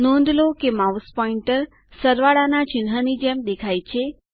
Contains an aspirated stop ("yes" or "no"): yes